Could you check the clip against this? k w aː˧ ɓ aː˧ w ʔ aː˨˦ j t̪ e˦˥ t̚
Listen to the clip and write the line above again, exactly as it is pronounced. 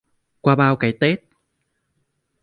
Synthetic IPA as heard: k w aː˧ ɓ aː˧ w k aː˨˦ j t̪ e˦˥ t̚